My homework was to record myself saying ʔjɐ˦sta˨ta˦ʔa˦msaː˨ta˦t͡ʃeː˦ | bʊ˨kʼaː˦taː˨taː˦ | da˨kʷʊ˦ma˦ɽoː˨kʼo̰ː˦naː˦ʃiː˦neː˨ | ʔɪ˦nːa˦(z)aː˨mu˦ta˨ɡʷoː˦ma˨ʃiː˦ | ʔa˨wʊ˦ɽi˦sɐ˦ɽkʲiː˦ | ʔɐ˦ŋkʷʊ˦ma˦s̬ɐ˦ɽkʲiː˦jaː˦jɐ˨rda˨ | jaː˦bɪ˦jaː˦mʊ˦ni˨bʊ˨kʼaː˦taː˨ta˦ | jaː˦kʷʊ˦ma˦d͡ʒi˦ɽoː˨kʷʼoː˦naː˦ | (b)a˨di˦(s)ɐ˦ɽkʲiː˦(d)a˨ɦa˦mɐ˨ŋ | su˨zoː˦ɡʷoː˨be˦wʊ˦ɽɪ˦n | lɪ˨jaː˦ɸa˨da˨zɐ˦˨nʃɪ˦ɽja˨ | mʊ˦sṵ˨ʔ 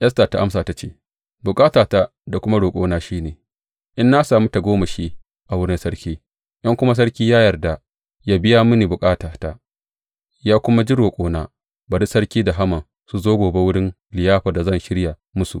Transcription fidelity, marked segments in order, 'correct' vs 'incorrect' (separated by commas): incorrect, correct, correct, correct